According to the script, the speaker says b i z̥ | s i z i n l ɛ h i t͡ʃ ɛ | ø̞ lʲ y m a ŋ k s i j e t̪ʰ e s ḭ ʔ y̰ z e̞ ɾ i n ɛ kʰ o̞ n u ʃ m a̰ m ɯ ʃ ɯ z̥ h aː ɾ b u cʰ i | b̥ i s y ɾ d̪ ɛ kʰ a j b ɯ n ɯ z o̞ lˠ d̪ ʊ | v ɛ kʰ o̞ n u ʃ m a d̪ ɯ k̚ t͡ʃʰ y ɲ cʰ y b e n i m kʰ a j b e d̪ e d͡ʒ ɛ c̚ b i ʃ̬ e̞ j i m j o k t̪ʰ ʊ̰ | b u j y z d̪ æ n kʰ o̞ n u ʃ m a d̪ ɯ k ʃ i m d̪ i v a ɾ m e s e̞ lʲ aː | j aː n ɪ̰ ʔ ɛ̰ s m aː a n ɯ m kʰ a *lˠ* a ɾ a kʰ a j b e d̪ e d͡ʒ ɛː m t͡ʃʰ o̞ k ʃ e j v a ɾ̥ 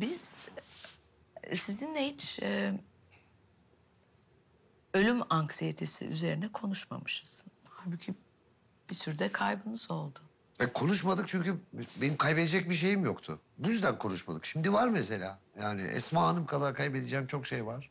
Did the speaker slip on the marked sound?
no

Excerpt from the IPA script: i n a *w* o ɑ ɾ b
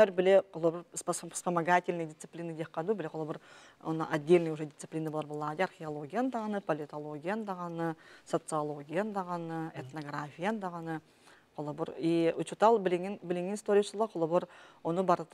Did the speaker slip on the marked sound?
yes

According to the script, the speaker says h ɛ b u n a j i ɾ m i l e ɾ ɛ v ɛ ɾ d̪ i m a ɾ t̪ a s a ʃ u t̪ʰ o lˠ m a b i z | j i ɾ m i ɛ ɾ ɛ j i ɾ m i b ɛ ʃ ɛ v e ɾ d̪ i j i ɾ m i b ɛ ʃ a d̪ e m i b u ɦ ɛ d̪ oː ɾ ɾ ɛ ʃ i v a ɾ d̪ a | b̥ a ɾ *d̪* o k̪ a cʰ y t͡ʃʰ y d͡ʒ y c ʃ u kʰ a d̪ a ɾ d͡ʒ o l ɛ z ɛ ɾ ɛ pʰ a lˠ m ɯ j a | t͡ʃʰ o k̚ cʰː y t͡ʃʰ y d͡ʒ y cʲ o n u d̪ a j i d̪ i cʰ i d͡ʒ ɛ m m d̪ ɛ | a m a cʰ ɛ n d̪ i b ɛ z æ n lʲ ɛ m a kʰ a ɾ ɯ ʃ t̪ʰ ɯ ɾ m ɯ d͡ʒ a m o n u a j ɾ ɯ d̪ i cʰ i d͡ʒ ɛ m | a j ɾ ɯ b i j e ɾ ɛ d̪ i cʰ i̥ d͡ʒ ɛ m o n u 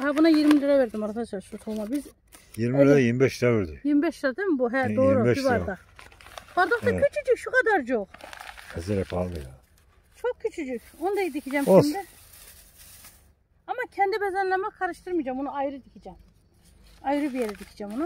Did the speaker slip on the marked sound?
no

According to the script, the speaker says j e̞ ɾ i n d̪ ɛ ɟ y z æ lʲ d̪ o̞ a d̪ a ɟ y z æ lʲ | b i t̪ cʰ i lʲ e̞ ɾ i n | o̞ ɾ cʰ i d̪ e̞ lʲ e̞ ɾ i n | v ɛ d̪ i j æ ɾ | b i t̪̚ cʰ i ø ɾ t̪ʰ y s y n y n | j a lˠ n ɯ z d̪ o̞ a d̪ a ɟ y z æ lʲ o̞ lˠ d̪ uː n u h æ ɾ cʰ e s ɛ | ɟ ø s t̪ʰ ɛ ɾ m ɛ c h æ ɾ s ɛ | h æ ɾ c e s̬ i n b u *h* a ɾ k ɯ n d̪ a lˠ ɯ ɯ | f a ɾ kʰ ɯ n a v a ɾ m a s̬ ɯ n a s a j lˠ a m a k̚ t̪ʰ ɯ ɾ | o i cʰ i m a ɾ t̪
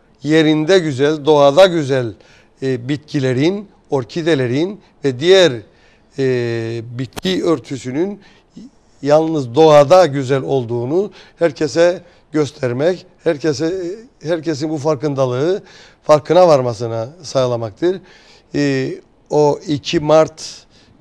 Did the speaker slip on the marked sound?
yes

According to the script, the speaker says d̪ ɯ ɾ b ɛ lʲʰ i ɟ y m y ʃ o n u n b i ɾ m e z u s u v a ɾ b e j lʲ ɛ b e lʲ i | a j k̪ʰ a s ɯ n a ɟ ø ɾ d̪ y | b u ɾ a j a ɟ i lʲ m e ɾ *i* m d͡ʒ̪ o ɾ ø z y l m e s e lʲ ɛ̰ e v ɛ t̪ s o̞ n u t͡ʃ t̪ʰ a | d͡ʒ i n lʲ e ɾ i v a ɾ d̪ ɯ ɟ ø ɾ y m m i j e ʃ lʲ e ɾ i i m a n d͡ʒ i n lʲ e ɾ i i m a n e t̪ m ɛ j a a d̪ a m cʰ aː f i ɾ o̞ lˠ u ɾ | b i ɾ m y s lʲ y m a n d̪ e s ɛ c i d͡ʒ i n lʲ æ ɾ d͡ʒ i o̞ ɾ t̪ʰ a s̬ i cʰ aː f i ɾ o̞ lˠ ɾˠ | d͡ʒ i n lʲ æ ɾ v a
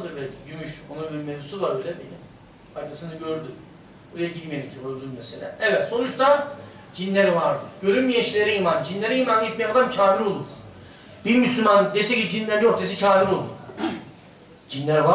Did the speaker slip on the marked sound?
no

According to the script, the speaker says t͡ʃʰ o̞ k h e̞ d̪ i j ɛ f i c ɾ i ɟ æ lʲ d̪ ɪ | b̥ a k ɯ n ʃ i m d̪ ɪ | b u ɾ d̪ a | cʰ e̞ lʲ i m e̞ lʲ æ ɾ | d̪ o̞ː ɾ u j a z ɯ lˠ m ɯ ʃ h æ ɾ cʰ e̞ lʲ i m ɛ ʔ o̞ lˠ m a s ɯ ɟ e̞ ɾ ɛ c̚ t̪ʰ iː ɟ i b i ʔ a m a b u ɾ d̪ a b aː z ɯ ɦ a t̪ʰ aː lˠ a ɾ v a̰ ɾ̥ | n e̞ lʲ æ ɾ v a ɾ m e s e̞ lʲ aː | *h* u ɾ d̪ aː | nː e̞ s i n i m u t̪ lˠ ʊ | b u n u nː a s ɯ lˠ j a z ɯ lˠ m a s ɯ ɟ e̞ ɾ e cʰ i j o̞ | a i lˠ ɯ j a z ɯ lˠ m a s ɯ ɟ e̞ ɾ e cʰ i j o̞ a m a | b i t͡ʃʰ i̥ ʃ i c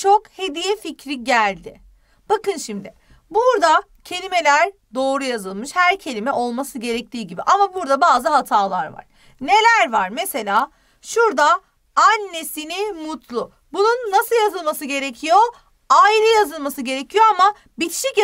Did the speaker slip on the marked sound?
yes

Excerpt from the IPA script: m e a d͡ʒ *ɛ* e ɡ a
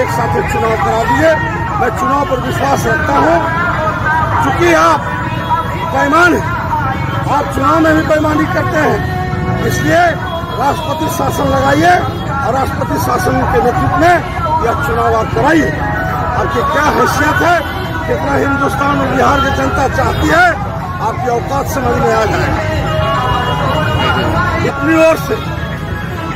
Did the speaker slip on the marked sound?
yes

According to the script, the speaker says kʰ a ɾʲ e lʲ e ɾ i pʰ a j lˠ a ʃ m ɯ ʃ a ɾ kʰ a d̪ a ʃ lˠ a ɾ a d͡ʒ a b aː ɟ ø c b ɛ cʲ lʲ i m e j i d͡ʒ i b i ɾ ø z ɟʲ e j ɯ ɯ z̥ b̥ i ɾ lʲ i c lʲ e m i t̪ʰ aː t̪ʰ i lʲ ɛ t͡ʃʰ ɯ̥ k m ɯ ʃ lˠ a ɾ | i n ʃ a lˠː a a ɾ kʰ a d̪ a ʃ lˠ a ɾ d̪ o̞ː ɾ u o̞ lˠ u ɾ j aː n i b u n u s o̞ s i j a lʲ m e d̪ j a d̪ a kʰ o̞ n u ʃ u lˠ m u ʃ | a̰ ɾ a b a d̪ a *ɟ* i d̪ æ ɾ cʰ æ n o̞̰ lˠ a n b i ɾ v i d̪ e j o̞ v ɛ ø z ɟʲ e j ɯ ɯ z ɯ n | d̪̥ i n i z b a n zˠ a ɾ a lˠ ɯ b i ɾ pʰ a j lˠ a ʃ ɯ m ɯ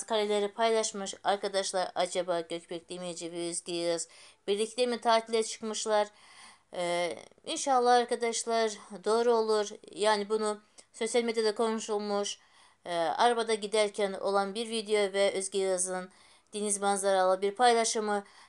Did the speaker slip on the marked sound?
no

